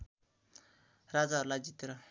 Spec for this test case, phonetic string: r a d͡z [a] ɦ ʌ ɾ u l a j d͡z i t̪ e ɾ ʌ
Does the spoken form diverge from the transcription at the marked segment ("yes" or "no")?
no